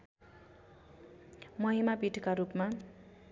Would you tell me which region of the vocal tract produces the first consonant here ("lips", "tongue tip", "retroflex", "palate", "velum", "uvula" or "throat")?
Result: lips